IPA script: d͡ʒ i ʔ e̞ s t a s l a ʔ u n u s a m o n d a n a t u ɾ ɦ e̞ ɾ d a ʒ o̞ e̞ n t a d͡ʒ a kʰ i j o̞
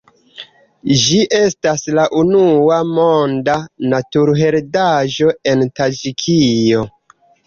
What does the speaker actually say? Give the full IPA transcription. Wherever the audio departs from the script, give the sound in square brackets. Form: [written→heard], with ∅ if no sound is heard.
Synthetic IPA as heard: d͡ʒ i ʔ e̞ s t a s l a ʔ u n u [s→∅] a m o n d a n a t u ɾ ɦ e̞ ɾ d a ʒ o̞ e̞ n t a d͡ʒ [a→i] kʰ i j o̞